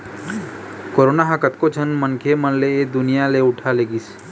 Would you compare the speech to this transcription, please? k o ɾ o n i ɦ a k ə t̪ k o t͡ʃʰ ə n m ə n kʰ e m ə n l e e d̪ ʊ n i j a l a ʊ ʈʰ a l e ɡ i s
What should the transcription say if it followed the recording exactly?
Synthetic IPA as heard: k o ɾ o n a ɦ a k ə t̪ k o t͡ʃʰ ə n m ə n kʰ e m ə n l e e d̪ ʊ n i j a l e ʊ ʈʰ a l e ɡ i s